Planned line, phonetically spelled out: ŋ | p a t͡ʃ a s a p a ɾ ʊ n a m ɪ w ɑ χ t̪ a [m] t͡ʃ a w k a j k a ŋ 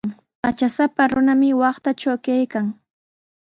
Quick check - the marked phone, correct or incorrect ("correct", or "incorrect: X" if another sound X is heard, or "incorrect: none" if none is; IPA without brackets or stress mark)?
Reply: incorrect: none